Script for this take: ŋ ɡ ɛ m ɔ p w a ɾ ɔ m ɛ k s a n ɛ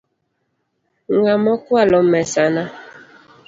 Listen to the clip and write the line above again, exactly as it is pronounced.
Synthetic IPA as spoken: ŋ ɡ a m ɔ k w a l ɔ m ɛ s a n a